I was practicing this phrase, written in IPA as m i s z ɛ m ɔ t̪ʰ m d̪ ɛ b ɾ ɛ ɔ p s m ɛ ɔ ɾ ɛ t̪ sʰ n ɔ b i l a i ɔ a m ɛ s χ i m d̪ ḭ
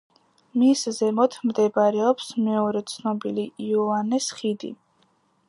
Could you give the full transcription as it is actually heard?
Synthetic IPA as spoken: m i s z ɛ m ɔ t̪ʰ m d̪ ɛ b ɾ ɛ ɔ p s m ɛ ɔ ɾ ɛ t̪ sʰ n ɔ b i l i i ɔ a n ɛ s χ i d̪ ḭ